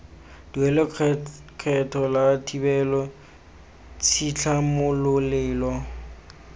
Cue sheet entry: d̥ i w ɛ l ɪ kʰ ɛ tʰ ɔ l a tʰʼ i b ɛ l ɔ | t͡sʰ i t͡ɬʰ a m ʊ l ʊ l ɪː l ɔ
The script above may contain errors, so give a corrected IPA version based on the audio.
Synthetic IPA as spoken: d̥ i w ɛ l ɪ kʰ ɛ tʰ ɔ l a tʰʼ i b ɛ l ɔ | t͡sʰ i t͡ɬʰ a m ʊ l ʊ l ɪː l ɔ

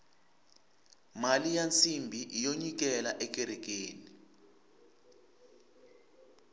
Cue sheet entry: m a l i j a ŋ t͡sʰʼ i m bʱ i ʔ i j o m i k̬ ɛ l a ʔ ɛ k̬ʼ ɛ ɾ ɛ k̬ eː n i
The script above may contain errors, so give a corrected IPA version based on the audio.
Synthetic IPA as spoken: m a l i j a n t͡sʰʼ i m bʱ i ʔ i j o ɲ i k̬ ɛ l a ʔ ɛ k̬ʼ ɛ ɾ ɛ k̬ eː n i

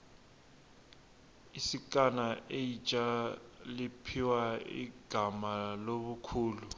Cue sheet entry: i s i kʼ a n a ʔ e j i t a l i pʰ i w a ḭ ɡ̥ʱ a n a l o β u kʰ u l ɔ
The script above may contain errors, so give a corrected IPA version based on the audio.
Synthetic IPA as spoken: i s i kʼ a n a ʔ e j i t͡ʃʼ a l i pʰ i w a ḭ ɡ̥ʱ a m a l o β u kʰ uː l u

